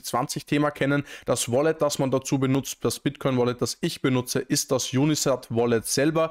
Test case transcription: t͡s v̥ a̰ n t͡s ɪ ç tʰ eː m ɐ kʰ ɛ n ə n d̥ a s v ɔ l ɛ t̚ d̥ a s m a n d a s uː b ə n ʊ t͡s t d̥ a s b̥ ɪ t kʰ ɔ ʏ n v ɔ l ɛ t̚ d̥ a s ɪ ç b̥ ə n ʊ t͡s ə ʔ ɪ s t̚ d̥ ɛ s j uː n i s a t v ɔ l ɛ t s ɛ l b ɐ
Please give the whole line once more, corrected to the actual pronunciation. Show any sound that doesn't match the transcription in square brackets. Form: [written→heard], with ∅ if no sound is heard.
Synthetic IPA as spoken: t͡s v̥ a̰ n t͡s ɪ ç tʰ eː m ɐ kʰ ɛ n ə n d̥ a s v ɔ l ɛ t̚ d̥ a s m a n d a [s→t͡s] uː b ə n ʊ t͡s t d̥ a s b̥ ɪ t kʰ ɔ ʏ n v ɔ l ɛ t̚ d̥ a s ɪ ç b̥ ə n ʊ t͡s ə ʔ ɪ s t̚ d̥ [ɛ→a] s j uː n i s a t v ɔ l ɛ t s ɛ l b ɐ

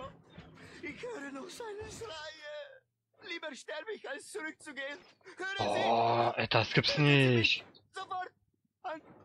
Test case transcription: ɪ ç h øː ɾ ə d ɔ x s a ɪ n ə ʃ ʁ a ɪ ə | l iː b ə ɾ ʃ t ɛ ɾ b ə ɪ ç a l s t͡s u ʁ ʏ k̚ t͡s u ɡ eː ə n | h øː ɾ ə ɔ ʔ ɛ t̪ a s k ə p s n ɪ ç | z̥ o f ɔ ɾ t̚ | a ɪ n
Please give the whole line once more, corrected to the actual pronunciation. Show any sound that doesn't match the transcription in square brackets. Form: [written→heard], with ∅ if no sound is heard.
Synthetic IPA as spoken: ɪ ç h øː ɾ ə [d→n] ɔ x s a ɪ n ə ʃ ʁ a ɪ ə | l iː b ə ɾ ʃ t ɛ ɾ b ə ɪ ç a l s t͡s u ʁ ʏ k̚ t͡s u ɡ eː ə n | h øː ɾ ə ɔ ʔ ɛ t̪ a s k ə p s n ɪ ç | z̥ o f ɔ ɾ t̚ | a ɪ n

